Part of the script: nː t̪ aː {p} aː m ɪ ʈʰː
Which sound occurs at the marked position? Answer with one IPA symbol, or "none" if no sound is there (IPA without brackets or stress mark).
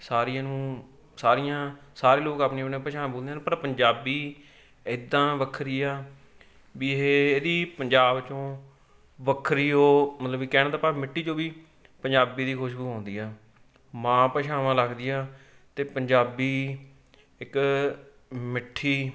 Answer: p